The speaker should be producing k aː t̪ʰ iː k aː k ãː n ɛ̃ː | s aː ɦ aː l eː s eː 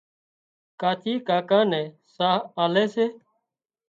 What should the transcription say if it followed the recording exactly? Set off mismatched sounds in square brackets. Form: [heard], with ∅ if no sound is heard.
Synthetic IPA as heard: k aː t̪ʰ iː k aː k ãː n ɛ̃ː | s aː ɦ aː l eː s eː